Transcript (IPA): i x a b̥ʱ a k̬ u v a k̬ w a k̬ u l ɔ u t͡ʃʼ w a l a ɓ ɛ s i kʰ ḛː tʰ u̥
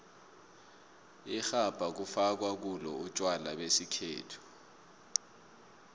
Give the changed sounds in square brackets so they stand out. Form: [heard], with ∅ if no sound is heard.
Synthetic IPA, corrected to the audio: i x a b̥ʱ a k̬ u [f] a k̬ w a k̬ u l ɔ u t͡ʃʼ w a l a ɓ [e] s i kʰ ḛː tʰ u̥